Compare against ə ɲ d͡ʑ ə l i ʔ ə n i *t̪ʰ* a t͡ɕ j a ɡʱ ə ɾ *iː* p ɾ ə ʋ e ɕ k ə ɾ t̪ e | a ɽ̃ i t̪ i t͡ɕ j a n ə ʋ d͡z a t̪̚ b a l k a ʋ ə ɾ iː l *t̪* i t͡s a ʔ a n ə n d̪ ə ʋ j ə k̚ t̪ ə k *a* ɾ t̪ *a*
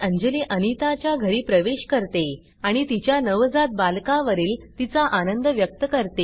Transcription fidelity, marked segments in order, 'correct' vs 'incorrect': incorrect: t̪, correct, correct, incorrect: ə, incorrect: e

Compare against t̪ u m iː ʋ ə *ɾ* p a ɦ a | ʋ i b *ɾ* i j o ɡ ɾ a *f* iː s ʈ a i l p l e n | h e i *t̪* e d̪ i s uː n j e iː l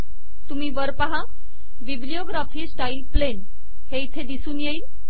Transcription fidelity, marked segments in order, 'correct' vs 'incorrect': correct, incorrect: l, correct, incorrect: t̪ʰ

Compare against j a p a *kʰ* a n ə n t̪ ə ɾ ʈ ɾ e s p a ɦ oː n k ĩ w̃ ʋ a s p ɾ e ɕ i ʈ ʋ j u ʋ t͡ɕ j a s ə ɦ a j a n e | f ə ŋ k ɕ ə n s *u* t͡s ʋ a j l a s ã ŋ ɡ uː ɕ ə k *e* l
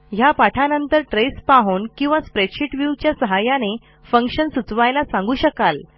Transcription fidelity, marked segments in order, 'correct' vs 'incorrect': incorrect: ʈʰ, correct, incorrect: a

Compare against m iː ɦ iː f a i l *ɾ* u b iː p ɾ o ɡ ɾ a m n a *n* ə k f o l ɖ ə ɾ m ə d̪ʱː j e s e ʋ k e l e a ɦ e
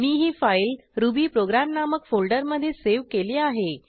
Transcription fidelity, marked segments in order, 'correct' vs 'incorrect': correct, incorrect: m

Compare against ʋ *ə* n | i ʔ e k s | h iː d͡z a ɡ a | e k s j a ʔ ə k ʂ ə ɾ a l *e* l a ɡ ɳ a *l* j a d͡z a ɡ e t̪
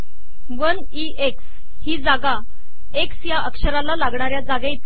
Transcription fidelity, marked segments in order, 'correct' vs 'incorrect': correct, incorrect: a, incorrect: ɾ

